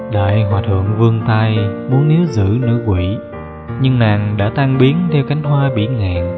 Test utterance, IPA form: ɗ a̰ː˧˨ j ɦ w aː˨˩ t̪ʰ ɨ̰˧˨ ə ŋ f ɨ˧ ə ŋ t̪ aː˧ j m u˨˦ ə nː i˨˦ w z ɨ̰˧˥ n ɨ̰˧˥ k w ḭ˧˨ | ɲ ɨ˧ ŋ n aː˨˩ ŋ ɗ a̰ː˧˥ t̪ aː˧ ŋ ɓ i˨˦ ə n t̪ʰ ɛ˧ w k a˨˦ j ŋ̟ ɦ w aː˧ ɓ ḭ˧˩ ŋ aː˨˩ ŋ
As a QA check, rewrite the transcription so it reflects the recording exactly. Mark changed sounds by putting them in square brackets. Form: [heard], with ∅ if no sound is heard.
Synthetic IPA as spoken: ɗ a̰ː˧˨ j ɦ w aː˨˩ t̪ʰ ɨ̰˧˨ ə ŋ [v] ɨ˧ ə ŋ t̪ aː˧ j m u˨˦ ə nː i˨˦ w z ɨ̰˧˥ n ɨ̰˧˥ k w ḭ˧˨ | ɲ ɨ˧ ŋ n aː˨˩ ŋ ɗ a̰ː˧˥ t̪ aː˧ ŋ ɓ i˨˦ ə n t̪ʰ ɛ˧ w k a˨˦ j ŋ̟ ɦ w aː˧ ɓ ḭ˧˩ ŋ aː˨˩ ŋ